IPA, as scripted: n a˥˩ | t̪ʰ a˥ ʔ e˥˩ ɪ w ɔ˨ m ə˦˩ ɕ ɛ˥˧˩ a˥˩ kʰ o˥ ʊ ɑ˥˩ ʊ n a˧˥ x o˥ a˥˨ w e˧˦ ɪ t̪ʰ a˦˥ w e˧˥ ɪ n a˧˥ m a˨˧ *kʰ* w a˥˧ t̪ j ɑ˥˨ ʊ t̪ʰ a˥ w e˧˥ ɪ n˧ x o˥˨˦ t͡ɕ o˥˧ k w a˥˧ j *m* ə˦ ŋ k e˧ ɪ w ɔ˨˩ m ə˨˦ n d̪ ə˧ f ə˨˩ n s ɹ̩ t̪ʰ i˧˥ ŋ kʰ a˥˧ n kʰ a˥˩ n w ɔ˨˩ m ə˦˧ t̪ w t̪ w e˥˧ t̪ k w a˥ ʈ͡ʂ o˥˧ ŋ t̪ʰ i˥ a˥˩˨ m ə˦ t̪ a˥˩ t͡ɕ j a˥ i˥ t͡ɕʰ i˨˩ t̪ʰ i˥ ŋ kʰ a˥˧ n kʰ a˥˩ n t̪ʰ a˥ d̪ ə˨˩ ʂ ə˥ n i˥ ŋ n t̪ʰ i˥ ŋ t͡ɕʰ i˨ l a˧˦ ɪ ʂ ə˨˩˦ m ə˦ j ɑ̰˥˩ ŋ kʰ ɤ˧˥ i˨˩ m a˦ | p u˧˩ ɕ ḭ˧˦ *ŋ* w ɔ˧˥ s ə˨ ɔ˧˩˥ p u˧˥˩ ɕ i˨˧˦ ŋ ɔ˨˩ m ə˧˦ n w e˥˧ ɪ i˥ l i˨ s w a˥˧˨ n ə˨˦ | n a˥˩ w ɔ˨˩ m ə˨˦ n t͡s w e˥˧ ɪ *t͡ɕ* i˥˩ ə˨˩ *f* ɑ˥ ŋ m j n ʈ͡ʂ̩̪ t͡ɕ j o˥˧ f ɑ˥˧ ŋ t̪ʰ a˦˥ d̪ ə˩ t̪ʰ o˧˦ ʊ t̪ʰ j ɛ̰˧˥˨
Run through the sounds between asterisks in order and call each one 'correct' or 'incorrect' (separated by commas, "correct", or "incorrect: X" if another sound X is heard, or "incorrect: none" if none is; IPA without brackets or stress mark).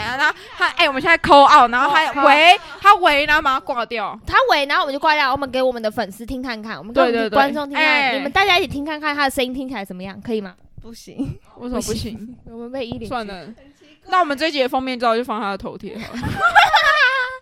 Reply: incorrect: k, correct, correct, correct, correct